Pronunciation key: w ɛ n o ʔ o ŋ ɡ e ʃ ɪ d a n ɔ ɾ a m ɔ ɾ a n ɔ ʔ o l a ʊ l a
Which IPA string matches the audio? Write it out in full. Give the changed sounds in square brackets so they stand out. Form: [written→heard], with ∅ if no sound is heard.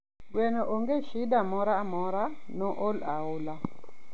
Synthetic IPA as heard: w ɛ n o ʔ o ŋ ɡ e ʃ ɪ d a [n→m] ɔ ɾ a m ɔ ɾ a n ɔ ʔ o l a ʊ l a